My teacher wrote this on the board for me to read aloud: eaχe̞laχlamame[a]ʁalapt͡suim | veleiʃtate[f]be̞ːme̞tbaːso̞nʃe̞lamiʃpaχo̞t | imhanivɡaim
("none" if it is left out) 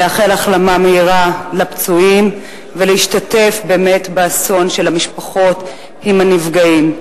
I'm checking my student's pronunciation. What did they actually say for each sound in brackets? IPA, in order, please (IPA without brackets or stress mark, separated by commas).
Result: i, f